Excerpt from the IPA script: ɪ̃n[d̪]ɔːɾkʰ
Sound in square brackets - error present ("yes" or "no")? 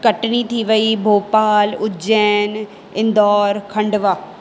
no